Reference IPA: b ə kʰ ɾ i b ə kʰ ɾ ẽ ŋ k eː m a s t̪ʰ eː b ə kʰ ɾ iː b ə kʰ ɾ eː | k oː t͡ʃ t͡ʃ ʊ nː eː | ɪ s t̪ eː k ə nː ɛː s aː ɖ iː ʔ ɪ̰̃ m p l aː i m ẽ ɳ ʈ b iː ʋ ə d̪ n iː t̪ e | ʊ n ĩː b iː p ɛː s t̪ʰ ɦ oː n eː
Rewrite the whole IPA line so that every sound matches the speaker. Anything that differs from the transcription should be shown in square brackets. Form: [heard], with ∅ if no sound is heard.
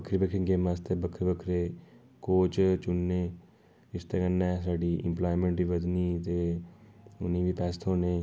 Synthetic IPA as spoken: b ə kʰ ɾ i b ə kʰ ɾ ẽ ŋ [ɡ] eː m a s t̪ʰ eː b ə kʰ ɾ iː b ə kʰ ɾ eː | k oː t͡ʃ t͡ʃ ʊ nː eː | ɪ s t̪ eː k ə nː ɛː s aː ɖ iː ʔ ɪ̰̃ m p l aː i m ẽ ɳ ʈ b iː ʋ ə d̪ n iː t̪ e | ʊ n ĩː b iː p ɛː s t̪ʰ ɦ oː n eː